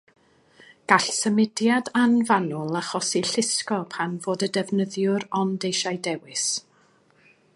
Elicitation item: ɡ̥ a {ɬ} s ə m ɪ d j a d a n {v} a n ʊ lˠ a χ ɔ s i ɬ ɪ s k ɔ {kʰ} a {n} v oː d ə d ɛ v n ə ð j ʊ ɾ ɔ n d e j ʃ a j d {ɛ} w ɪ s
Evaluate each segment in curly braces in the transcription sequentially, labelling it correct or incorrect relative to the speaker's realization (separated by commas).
correct, correct, incorrect, correct, correct